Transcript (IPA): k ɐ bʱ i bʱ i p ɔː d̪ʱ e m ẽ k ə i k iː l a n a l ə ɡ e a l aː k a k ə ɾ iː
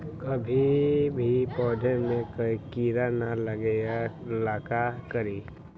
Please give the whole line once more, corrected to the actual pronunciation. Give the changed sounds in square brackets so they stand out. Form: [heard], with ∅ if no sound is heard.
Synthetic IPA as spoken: k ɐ bʱ i bʱ i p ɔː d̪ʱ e m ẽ k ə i k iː [ɾ] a n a l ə ɡ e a l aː k a k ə ɾ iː